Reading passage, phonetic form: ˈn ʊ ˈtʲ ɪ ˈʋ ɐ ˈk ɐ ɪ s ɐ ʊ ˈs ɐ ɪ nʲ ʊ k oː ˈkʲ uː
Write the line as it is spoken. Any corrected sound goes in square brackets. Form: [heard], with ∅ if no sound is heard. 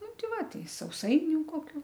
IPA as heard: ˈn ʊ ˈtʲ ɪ ˈʋ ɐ [ˈt] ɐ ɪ s ɐ ʊ ˈs ɐ ɪ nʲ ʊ k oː ˈkʲ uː

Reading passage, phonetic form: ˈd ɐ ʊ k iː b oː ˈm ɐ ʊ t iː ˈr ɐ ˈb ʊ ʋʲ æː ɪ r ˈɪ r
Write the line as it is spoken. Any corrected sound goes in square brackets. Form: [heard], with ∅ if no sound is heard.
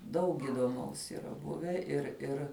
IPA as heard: ˈd ɐ ʊ k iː [d] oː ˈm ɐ ʊ [s] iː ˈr ɐ ˈb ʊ ʋʲ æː ɪ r ˈɪ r

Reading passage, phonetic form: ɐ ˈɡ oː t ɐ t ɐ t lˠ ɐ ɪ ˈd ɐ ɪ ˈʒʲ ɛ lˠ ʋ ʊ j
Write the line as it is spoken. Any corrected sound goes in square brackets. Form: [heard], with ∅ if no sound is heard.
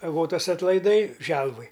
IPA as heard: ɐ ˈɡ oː t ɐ [s] ɐ t lˠ ɐ ɪ ˈd ɐ ɪ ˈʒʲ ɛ lˠ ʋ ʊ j

